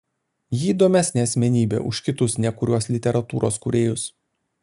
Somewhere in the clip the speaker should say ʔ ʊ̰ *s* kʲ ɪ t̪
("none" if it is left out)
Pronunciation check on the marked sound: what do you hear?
ʃ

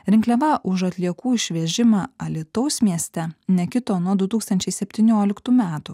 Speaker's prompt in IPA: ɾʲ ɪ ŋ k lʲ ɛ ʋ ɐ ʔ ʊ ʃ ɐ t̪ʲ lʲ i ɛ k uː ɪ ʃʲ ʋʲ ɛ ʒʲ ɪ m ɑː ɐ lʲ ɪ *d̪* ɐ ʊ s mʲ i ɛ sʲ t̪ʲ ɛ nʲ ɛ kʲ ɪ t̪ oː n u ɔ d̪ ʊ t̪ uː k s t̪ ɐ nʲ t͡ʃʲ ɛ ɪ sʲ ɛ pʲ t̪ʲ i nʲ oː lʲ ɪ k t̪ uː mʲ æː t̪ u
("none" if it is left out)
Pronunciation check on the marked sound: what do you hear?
t̪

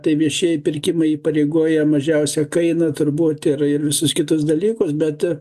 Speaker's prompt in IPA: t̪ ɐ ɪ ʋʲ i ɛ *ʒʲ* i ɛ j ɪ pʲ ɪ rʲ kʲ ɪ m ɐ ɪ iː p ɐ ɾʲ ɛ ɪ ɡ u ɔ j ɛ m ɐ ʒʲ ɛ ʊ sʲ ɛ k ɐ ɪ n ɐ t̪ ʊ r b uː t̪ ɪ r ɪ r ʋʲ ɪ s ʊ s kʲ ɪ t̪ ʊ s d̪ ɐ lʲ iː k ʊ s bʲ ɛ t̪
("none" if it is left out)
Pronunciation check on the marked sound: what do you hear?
ʃʲ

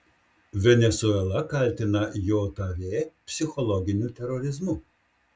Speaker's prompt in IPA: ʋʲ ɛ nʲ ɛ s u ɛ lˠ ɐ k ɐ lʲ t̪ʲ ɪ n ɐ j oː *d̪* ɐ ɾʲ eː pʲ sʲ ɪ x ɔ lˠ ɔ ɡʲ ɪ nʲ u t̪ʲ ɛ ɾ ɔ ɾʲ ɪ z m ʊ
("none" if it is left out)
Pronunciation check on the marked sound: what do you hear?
t̪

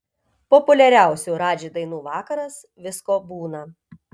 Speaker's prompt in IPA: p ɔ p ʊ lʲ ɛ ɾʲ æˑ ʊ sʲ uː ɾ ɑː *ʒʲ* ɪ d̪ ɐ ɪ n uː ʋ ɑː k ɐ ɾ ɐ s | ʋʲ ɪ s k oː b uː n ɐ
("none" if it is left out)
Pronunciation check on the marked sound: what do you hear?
d͡ʒʲ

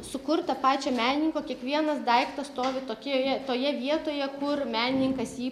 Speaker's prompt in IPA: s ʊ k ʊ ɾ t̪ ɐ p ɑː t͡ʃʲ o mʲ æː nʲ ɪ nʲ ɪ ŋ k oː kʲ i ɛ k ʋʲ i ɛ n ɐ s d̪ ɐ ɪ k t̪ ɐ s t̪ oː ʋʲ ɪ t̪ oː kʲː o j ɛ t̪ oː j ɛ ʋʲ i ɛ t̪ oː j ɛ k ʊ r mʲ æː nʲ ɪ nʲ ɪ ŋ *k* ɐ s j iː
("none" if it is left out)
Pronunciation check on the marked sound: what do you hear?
k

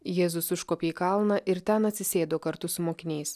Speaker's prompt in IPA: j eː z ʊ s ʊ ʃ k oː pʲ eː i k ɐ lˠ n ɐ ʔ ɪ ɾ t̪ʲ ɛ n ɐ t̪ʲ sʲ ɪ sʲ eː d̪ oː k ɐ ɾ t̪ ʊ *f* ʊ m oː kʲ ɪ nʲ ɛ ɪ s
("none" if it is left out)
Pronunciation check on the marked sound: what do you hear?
s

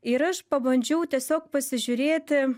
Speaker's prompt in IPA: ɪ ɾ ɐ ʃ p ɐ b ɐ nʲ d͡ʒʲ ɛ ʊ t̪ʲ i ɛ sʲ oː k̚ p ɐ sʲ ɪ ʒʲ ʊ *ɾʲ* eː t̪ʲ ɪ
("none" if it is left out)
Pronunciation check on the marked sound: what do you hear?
ɾʲ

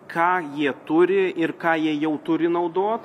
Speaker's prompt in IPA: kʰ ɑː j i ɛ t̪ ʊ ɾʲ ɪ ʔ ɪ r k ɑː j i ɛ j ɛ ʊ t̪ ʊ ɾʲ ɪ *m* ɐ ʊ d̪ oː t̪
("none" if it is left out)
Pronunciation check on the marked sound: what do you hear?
n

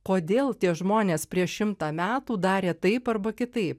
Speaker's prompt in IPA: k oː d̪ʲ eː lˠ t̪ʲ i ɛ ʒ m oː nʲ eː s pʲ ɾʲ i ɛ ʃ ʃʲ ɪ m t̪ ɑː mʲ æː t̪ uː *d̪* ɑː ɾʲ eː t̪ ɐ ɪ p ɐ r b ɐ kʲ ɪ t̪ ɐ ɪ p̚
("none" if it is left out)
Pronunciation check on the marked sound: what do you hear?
d̪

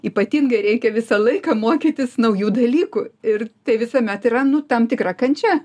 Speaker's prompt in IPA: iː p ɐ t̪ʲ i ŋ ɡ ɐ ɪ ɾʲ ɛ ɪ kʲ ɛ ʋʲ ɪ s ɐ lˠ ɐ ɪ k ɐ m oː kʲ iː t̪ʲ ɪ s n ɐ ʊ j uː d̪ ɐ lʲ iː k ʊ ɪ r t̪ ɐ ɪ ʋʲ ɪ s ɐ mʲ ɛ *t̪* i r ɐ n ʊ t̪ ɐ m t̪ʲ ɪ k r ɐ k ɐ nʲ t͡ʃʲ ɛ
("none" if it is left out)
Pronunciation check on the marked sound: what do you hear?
t̪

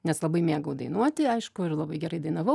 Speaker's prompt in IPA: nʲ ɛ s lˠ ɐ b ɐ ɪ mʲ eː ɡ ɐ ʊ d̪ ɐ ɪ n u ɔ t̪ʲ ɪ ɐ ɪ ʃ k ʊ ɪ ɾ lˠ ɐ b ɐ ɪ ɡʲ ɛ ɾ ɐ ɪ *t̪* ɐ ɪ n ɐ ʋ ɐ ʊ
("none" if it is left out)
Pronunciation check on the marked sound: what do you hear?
d̪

